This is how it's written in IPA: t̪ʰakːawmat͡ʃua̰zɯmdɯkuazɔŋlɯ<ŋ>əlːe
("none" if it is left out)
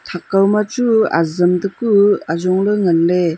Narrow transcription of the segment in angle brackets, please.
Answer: ŋ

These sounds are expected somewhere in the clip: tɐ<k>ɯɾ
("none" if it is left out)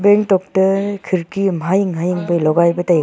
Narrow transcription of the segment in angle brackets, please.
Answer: kʰ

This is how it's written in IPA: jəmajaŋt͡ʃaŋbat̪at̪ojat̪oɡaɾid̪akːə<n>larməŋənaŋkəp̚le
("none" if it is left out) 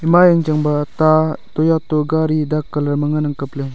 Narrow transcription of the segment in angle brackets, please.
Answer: none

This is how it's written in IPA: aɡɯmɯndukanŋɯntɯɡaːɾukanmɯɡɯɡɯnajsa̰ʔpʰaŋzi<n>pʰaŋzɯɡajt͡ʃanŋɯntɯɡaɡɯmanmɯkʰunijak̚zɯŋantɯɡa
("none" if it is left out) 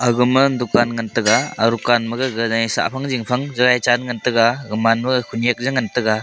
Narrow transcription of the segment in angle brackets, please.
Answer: ŋ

